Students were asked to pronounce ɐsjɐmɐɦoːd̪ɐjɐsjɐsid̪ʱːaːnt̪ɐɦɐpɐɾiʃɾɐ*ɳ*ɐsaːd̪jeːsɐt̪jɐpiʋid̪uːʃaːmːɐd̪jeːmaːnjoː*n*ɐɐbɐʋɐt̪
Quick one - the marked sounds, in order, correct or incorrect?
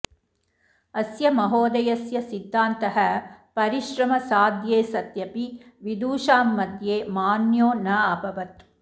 incorrect: m, correct

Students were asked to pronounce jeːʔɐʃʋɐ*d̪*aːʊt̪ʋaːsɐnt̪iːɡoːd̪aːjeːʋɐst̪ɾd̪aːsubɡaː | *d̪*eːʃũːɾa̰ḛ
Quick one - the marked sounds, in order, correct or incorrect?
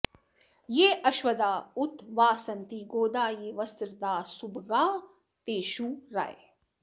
correct, incorrect: t̪

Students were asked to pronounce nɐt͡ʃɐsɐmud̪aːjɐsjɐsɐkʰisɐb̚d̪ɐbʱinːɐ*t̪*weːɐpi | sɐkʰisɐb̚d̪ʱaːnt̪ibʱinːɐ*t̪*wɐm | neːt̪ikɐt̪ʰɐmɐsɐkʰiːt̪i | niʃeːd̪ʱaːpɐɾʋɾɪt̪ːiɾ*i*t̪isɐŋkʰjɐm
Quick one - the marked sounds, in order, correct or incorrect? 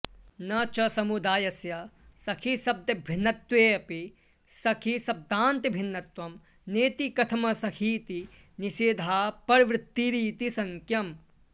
correct, correct, incorrect: iː

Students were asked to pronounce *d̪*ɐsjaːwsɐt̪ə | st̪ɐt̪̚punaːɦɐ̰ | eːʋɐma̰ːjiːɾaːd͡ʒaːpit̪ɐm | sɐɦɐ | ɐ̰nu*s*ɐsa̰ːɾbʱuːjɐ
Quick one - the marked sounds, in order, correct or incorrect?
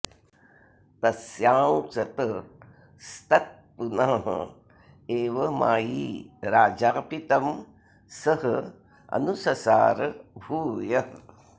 incorrect: t̪, correct

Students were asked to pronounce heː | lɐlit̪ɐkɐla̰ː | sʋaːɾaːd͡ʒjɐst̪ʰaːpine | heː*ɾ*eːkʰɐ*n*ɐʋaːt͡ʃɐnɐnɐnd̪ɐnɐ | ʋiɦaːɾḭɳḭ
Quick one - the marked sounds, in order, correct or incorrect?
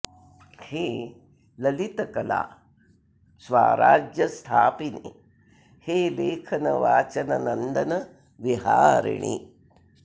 incorrect: l, correct

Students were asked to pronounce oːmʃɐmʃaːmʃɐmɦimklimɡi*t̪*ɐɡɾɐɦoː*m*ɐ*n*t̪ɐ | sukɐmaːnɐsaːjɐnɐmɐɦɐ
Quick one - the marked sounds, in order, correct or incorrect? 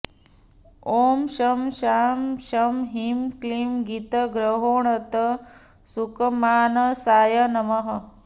correct, incorrect: ɳ, incorrect: none

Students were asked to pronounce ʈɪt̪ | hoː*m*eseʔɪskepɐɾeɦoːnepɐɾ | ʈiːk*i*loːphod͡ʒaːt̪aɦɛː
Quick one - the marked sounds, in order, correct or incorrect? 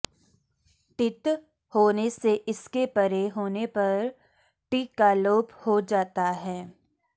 incorrect: n, incorrect: a

